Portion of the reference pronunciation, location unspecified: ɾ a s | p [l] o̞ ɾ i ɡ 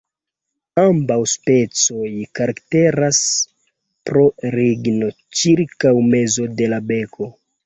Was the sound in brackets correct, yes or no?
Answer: no